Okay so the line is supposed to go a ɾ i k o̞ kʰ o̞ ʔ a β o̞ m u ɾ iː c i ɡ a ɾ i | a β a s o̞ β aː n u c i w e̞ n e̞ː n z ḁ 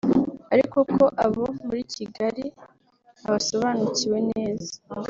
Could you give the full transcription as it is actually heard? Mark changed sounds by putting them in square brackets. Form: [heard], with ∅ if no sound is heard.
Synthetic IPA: a ɾ i k o̞ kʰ o̞ ʔ a β o̞ m u ɾ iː c i ɡ a ɾ i | a β a s o̞ β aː n u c i w e̞ n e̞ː [∅] z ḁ

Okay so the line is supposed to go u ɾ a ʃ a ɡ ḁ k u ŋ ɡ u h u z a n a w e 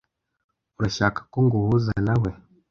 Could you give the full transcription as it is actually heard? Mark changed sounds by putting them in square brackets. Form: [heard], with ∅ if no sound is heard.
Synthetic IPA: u ɾ a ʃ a [k] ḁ k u ŋ ɡ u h u z a n a w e

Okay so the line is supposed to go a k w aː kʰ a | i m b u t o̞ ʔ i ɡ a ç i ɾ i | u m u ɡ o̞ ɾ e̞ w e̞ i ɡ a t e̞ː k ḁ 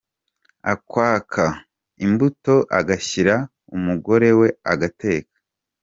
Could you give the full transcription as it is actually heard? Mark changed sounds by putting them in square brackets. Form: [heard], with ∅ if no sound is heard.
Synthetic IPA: a k w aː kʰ a | i m b u t o̞ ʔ [a] ɡ a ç i ɾ [a] | u m u ɡ o̞ ɾ e̞ w e̞ [a] ɡ a t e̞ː k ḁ

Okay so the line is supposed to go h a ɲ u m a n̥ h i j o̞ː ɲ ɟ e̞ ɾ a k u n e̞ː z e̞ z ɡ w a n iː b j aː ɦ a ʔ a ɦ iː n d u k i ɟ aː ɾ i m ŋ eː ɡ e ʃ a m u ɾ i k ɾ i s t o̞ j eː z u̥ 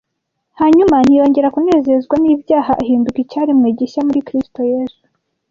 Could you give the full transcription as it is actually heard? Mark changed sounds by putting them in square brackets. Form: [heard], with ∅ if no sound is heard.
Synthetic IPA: h a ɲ u m a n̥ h i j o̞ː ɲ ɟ e̞ ɾ a k u n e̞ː z e̞ z ɡ w a n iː b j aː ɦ a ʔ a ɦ iː n d u k i [c] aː ɾ i m ŋ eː [ɟ] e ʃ a m u ɾ i k ɾ i s t o̞ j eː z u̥

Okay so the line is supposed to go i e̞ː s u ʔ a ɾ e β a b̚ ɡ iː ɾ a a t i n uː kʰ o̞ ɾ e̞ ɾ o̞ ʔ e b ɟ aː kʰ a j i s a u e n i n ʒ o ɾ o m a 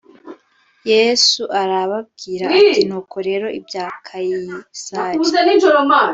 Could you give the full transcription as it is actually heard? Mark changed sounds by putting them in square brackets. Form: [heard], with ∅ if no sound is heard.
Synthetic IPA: [j] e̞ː s u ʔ a ɾ [a] β a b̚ ɡ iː ɾ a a t i n uː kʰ o̞ ɾ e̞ ɾ o̞ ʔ [i] b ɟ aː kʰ a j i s a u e n i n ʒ o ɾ o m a

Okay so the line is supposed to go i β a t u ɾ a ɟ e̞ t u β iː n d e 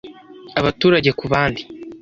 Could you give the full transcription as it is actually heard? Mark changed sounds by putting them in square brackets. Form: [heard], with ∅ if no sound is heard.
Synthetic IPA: [a] β a t [uː] ɾ a ɟ e̞ [k] u β [aː] n d [i]

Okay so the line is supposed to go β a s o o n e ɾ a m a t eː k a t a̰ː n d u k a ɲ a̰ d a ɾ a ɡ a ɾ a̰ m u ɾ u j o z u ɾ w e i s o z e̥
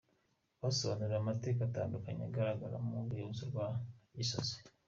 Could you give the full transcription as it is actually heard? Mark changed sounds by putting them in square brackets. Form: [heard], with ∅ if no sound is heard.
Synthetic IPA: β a s o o n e ɾ a m a t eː k a t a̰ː n d u k a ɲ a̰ [ɡ] a ɾ a ɡ a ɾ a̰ m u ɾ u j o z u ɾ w [a] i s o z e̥

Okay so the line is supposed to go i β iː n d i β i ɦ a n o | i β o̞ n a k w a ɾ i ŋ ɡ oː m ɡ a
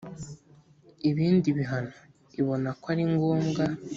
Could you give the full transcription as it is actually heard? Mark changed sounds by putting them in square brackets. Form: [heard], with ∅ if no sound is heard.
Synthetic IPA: i β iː n d i β i ɦ a n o | i β o̞ n a k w a ɾ i ŋ ɡ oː m ɡ a

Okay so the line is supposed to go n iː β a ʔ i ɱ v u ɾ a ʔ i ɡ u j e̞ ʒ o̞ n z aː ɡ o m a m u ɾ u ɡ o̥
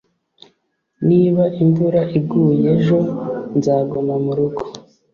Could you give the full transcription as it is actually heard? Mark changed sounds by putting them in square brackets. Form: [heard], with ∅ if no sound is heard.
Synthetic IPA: n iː β a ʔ i ɱ v u ɾ a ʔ i ɡ u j e̞ ʒ o̞ n z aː ɡ o m a m u ɾ u ɡ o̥

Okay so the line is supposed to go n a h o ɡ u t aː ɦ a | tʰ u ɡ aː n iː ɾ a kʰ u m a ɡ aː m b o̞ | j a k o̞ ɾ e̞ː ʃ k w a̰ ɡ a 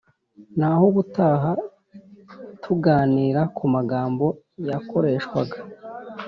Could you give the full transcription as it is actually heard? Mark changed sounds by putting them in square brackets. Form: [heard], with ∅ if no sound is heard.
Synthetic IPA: n a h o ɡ u t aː ɦ a | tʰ u ɡ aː n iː ɾ a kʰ u m a ɡ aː m b o̞ | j a k o̞ ɾ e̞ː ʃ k w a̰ ɡ a

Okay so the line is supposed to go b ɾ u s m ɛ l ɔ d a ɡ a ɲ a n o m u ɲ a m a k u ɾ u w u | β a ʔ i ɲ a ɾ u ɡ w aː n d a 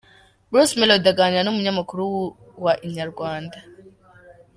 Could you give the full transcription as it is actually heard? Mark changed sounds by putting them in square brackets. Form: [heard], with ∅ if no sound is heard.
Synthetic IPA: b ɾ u s m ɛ l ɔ d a ɡ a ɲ a n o m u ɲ a m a k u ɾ u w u | [w] a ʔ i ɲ a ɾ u ɡ w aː n d a

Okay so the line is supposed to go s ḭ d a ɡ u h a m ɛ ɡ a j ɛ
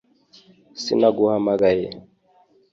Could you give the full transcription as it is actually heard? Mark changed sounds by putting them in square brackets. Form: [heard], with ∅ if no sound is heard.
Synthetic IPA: s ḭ [n] a ɡ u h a m [a] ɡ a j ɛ

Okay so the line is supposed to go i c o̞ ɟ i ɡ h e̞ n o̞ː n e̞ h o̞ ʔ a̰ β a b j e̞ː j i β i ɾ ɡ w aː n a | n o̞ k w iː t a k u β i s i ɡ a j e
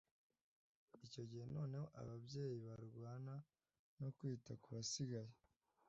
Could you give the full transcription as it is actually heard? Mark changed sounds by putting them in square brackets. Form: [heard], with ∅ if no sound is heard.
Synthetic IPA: i c o̞ ɟ i [∅] h e̞ n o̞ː n e̞ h o̞ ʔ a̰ β a b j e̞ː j i β [a] ɾ ɡ w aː n a | n o̞ k w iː t a k u β [a] s i ɡ a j e

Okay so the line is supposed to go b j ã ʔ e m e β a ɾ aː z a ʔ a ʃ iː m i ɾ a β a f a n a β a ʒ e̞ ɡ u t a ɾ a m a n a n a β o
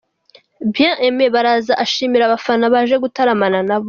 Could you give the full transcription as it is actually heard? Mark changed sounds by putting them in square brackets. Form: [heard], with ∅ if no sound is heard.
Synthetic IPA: b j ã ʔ e m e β a ɾ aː z a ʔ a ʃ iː m i ɾ a β a f a n a β a ʒ e̞ ɡ u t a ɾ a m a n a n a β o

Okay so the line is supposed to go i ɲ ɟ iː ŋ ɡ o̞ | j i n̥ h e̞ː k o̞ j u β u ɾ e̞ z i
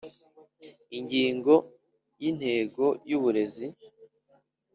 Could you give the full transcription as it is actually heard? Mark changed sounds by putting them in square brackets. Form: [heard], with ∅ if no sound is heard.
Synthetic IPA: i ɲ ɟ iː ŋ ɡ o̞ | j i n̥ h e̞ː [ɡ] o̞ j u β u ɾ e̞ z i

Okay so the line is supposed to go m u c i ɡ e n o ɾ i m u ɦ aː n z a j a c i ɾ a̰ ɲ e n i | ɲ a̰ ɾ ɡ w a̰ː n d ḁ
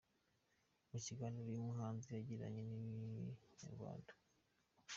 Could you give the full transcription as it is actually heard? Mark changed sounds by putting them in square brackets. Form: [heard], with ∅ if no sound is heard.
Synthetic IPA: m u c i ɡ [a] n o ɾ i m u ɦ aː n z [i] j a [ɟ] i ɾ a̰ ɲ e n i | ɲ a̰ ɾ ɡ w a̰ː n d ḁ

